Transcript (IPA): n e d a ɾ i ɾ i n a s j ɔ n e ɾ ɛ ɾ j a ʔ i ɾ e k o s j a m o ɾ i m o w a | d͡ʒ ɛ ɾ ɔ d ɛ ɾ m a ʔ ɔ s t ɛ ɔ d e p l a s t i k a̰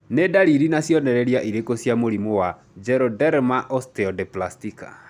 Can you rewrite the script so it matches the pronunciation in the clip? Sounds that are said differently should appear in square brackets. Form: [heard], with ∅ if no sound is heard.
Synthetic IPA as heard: n e d a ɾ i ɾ i n a s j ɔ n [ɛ] ɾ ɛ ɾ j a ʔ i ɾ e k o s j a m o ɾ i m o w a | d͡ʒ ɛ ɾ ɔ d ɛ ɾ m a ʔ ɔ s t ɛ ɔ d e p l a s t i k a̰